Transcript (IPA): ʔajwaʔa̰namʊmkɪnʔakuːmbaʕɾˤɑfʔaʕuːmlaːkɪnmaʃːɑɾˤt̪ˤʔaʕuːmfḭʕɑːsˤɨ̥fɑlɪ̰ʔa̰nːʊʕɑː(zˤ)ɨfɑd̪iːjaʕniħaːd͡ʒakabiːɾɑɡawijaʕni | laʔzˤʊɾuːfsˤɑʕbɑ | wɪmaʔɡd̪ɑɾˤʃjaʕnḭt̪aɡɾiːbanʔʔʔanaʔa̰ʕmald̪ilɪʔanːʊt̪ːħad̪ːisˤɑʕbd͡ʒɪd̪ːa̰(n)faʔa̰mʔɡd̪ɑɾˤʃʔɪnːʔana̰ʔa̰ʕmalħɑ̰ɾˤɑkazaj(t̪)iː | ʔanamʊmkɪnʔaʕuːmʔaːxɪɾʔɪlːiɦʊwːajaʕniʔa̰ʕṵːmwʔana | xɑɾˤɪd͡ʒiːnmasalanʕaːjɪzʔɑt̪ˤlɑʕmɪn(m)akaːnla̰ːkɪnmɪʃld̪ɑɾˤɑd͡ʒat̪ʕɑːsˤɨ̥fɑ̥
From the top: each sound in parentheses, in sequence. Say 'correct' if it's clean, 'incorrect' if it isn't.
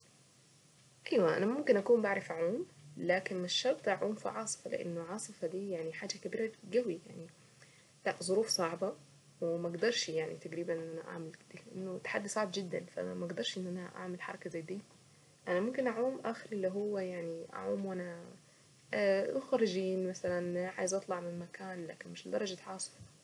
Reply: incorrect, correct, incorrect, correct

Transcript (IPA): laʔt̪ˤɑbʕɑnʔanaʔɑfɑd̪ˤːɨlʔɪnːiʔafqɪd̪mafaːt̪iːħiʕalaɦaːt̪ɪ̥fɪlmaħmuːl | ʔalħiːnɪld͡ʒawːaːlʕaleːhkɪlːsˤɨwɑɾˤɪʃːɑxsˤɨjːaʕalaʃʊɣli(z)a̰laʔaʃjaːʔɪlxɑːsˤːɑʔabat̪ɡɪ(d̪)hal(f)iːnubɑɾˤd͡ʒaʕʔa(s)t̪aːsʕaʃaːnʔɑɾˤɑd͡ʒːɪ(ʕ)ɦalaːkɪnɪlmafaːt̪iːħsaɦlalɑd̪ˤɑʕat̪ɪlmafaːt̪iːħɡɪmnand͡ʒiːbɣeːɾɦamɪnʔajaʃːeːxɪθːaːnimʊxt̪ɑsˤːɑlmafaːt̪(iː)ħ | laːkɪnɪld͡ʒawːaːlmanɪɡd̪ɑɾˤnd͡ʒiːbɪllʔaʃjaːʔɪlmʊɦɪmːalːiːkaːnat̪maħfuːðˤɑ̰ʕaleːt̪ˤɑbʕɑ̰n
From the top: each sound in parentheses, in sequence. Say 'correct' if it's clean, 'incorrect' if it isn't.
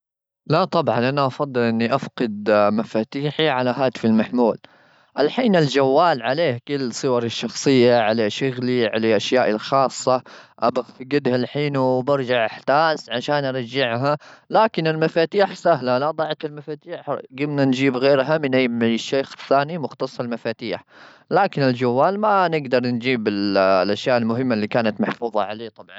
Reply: incorrect, correct, incorrect, incorrect, correct, correct

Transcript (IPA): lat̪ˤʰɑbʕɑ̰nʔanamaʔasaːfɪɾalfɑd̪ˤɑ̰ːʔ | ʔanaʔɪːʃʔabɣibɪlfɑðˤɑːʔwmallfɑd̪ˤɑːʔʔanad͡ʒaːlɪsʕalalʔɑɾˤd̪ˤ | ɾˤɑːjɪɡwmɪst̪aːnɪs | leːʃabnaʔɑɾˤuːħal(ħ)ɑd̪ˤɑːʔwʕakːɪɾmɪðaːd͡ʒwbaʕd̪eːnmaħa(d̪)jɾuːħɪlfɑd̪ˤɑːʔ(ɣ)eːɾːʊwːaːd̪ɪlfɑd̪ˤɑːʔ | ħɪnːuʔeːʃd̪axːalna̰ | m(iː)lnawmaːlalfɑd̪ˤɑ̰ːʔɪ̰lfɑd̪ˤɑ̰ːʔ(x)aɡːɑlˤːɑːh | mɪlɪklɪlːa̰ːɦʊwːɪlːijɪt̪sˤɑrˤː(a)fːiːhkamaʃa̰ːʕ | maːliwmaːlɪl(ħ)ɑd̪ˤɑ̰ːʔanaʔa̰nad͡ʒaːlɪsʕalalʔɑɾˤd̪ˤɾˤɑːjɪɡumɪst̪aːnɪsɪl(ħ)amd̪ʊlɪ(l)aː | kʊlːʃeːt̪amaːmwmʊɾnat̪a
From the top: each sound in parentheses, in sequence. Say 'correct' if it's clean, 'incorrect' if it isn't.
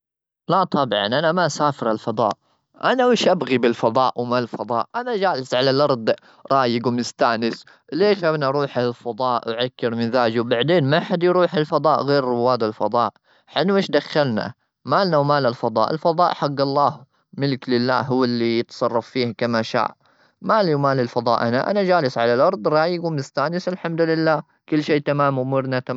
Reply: incorrect, correct, correct, incorrect, incorrect, incorrect, incorrect, correct, incorrect

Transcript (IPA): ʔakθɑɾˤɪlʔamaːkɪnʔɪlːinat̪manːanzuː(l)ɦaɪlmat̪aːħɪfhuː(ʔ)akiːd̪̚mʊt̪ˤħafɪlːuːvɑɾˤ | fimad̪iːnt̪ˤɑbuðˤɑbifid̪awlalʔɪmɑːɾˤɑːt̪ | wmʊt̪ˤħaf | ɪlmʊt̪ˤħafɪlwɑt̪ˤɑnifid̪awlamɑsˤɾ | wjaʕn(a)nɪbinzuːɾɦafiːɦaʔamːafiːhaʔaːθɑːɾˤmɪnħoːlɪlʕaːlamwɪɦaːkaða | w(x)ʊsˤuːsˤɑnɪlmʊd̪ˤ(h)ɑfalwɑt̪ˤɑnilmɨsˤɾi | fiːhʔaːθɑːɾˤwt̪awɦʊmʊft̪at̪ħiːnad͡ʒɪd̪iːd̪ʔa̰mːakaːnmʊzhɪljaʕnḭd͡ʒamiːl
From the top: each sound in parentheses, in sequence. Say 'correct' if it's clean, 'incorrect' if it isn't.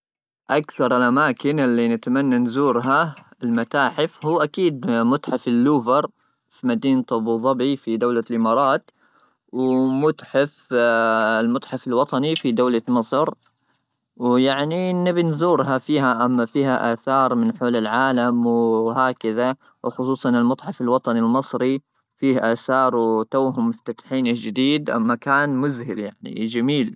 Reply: incorrect, correct, incorrect, correct, incorrect

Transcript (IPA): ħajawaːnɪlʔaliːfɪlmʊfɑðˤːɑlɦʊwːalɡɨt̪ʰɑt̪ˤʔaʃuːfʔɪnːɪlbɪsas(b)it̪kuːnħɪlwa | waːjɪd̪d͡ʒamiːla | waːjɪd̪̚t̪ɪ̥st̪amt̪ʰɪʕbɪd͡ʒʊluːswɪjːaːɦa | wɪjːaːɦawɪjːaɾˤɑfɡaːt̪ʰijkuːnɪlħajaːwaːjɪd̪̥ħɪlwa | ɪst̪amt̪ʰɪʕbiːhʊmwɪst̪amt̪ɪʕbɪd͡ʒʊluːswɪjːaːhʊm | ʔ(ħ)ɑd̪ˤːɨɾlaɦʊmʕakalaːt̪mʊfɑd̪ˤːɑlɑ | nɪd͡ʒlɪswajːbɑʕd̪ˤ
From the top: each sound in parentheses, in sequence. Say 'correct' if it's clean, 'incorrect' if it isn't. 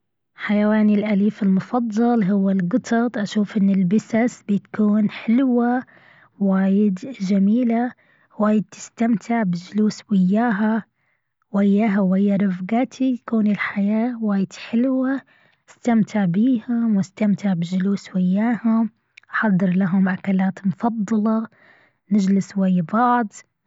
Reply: correct, correct

